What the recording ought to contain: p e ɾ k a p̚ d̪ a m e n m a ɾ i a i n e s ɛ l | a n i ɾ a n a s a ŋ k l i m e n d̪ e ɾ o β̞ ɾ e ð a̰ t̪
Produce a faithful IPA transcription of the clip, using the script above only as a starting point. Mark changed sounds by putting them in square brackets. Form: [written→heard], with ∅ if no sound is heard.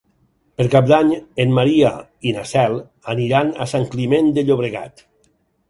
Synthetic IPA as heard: p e ɾ k a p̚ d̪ a [m→ɲ] e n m a ɾ i a i n [e→a] s ɛ l | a n i ɾ a n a s a ŋ k l i m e n d̪ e [ɾ→ʎ] o β̞ ɾ e [ð→ɣ] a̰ t̪